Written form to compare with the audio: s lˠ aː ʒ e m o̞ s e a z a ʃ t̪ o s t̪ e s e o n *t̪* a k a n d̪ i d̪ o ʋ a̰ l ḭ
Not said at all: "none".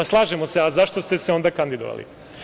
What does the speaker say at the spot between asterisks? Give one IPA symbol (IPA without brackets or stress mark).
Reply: d̪